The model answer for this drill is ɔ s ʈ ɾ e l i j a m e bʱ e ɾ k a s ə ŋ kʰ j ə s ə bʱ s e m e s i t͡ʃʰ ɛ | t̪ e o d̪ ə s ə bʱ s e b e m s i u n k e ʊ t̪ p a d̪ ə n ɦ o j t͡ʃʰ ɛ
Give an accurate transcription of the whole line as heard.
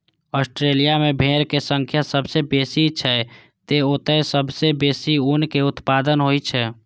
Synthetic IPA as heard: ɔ s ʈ ɾ e l i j a m e bʱ e ɾ k e s ə ŋ kʰ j a s ə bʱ s e b e s i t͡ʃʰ ɛ | t̪ e o t̪ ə s ə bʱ s e b e s i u n k e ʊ t̪ p a d̪ ə n ɦ o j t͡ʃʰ ɛ